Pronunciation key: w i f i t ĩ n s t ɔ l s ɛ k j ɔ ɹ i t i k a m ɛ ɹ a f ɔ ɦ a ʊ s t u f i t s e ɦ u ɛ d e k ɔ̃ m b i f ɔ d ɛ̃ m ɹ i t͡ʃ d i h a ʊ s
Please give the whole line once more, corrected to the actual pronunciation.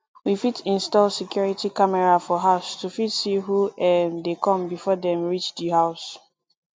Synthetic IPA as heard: w i f i t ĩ n s t ɔ l s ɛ k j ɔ ɹ i t i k a m ɛ ɹ a f ɔ ɦ a ʊ s t u f i t s i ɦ u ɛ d e k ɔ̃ m b i f ɔ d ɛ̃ m ɹ i t͡ʃ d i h a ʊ s